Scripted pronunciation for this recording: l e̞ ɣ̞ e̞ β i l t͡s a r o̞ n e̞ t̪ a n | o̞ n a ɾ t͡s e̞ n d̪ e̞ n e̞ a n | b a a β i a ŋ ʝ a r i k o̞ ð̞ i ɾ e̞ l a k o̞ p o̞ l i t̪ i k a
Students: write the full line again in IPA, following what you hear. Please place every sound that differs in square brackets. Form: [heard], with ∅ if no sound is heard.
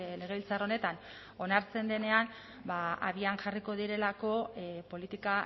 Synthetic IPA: l e̞ ɣ̞ e̞ β i l t͡s a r o̞ n e̞ t̪ a n | o̞ n a ɾ t͡s e̞ n d̪ e̞ n e̞ a n | b a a β i a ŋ ʝ a r i k o̞ ð̞ i ɾ e̞ l a k o̞ p o̞ l i t̪ i k a